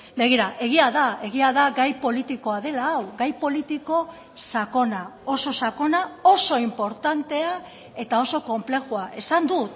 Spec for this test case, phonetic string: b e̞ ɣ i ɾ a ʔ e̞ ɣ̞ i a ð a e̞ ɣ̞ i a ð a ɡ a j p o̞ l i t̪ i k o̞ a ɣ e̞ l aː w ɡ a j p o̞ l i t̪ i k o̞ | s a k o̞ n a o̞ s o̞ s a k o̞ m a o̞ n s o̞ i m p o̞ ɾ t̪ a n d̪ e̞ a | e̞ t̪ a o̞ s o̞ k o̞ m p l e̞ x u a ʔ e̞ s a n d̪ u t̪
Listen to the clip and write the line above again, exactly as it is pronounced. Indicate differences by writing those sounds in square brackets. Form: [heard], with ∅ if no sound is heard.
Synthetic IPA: b e̞ ɣ i ɾ a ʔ e̞ ɣ̞ i a ð a e̞ ɣ̞ i a ð a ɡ a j p o̞ l i t̪ i k o̞ a [ð] e̞ l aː w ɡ a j p o̞ l i t̪ i k o̞ | s a k o̞ n a o̞ s o̞ s a k o̞ [n] a o̞ [∅] s o̞ i m p o̞ ɾ t̪ a n [t̪] e̞ a | e̞ t̪ a o̞ s o̞ k o̞ m p l e̞ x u a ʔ e̞ s a n d̪ u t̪